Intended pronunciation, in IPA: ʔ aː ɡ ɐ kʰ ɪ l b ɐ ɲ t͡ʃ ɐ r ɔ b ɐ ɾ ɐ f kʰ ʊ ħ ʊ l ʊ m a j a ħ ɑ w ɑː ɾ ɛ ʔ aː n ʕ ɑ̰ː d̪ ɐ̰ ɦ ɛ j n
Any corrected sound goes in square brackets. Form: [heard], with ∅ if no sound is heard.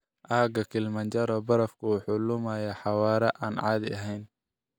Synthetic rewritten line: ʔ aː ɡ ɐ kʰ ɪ l [m] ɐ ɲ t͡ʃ ɐ [ɾ] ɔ b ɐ ɾ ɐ f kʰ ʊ ħ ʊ l ʊ m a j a ħ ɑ w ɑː ɾ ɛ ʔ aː n ʕ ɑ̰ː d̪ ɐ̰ ɦ ɛ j n